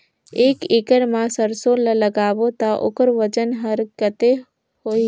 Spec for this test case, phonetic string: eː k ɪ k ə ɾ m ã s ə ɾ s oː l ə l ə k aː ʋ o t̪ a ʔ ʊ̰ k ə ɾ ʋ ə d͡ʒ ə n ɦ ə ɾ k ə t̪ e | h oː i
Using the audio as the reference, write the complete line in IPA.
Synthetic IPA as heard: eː k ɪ k ə ɾ m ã s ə ɾ s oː l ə l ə ɡ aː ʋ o t̪ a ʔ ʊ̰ k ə ɾ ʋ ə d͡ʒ ə n ɦ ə ɾ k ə t̪ e | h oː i